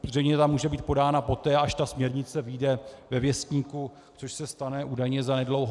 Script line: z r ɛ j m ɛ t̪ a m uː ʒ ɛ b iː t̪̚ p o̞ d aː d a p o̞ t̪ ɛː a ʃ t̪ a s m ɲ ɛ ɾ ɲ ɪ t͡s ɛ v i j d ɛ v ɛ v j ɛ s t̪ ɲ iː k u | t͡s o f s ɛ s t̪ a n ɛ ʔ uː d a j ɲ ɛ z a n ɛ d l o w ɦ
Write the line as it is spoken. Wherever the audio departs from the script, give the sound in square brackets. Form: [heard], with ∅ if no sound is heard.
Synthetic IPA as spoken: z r ɛ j [ɲ] ɛ t̪ a m uː ʒ ɛ b iː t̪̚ p o̞ d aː [n] a p o̞ t̪ ɛː a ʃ t̪ a s m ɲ ɛ ɾ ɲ ɪ t͡s ɛ v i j d ɛ v ɛ v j ɛ s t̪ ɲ iː k u | t͡s o [ʃ] s ɛ s t̪ a n ɛ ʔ uː d a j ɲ ɛ z a n ɛ d l o w ɦ

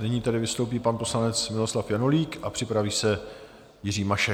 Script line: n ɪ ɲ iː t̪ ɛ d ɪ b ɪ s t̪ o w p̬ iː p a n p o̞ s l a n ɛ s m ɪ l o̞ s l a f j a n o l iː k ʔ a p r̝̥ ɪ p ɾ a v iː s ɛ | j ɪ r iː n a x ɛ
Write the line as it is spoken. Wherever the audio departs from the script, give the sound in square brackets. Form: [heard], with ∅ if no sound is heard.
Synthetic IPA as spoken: n ɪ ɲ iː t̪ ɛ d ɪ [v] ɪ s t̪ o w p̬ iː p a n p o̞ s l a n ɛ [t͡s] m ɪ l o̞ s l a f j a n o l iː k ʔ a p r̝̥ ɪ p ɾ a v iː s ɛ | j ɪ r iː [m] a [ʃ] ɛ

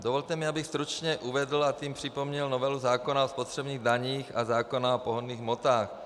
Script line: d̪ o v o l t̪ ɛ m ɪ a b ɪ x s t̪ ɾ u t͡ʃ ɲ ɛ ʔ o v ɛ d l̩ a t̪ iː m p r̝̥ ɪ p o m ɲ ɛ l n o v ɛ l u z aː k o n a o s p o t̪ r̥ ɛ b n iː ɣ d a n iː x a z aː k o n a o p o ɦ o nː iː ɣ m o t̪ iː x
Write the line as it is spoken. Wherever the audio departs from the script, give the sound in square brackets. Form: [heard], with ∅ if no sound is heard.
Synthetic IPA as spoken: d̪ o v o l t̪ ɛ m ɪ a b ɪ x s t̪ ɾ u t͡ʃ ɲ ɛ ʔ [u] v ɛ d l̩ a t̪ iː m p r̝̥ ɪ p o m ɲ ɛ l n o v ɛ l u z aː k o n a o s p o t̪ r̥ ɛ b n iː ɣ d a [ɲ] iː x a z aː k o n a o p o ɦ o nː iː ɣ m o t̪ [aː] x

